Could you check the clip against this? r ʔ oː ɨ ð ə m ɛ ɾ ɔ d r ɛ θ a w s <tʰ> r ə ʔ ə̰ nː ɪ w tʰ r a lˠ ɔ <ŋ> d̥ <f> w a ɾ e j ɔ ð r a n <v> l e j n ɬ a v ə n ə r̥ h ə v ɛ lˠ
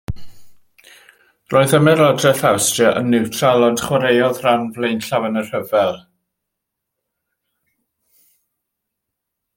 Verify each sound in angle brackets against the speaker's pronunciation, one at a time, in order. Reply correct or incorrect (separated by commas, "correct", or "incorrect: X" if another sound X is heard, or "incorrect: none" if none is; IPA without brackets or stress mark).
incorrect: t, incorrect: n, incorrect: χ, correct